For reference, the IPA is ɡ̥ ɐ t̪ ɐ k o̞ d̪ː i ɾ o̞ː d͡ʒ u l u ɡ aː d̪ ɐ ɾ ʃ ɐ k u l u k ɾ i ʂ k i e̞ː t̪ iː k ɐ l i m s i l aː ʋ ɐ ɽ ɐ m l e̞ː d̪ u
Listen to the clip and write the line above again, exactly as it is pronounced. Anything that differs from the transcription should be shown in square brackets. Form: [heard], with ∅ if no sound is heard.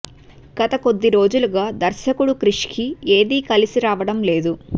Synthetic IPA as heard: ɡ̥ ɐ t̪ ɐ k o̞ d̪ː i ɾ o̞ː d͡ʒ u l u ɡ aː d̪ ɐ ɾ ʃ ɐ k u [ɽ] u k ɾ i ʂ k i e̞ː [d̪] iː k ɐ l i [∅] s i [ɾ] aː ʋ ɐ ɽ ɐ m l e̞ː d̪ u